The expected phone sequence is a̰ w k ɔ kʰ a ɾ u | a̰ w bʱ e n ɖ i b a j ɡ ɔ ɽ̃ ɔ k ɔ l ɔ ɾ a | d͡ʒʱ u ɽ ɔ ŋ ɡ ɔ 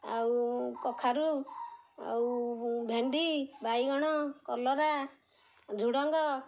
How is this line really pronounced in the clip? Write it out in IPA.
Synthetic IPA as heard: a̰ w k ɔ kʰ a ɾ u | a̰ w bʱ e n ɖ i b a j ɡ ɔ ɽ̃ ɔ k ɔ l ɔ ɾ a | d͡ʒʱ u ɽ ɔ ŋ ɡ ɔ